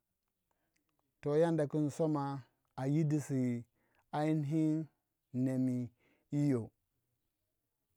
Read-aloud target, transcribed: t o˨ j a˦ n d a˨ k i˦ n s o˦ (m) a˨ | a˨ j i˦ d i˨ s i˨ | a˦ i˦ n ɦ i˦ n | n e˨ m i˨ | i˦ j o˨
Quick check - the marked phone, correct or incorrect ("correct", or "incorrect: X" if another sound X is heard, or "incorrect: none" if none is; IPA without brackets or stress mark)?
correct